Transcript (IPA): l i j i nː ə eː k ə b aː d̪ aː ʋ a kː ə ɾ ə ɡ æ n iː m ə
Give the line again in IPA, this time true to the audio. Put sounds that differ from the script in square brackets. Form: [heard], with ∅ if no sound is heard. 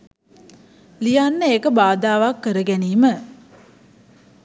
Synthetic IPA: l i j [a] nː ə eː k ə b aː d̪ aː ʋ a kː ə ɾ ə ɡ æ n iː m ə